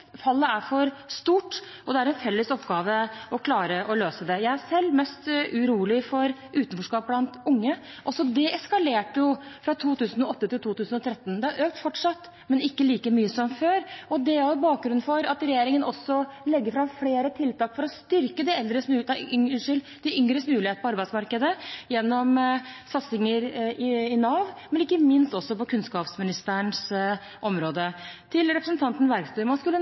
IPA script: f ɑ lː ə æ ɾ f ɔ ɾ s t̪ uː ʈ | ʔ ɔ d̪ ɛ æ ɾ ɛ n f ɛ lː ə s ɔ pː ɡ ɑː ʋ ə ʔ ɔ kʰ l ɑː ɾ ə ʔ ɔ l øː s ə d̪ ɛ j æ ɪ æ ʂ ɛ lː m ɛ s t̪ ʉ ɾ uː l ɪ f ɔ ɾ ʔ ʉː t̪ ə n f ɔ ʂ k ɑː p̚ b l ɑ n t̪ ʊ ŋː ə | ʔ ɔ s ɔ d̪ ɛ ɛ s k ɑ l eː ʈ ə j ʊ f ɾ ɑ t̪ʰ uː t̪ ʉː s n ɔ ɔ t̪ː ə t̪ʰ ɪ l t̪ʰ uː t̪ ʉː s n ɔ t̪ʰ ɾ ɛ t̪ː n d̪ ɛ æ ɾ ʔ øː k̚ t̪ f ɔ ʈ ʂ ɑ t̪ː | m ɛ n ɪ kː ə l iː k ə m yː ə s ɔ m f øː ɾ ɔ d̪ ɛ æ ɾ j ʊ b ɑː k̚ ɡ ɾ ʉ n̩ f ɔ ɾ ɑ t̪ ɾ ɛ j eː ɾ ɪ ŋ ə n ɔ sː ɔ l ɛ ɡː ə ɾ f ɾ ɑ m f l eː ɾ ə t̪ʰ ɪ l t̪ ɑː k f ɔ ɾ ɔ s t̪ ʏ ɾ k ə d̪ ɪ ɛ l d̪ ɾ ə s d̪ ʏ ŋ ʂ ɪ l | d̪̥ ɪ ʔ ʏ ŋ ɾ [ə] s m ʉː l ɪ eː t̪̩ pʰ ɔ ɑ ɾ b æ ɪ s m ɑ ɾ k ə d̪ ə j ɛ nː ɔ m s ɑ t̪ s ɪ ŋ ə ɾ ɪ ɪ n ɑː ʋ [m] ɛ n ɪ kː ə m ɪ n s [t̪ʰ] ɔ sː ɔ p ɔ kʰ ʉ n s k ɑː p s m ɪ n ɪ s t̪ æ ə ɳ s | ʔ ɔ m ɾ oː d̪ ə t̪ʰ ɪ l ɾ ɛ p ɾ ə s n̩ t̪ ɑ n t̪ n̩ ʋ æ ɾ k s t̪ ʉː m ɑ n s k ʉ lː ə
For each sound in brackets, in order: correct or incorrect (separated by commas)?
correct, correct, incorrect